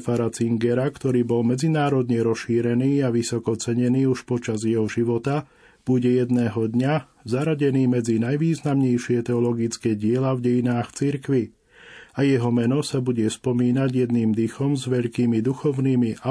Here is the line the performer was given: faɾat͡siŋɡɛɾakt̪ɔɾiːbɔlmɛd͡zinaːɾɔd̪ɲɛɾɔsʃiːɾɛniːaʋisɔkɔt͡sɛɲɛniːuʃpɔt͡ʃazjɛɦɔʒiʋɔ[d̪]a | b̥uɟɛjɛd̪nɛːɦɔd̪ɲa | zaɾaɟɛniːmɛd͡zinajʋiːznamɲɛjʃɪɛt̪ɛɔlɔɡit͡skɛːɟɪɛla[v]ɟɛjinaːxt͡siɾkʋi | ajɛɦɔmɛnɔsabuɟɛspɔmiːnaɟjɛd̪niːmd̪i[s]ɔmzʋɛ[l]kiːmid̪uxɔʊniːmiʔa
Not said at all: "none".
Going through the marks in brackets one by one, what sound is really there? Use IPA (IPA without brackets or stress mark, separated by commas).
t̪, v, x, ʎ